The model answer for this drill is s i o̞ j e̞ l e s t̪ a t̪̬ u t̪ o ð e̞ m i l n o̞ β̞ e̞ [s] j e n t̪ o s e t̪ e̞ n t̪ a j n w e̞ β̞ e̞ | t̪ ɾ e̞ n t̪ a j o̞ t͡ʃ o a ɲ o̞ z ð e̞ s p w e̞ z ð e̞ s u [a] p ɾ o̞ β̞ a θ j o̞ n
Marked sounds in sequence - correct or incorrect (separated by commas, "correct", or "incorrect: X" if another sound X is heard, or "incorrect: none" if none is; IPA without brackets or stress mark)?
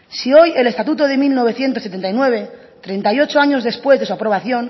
incorrect: θ, correct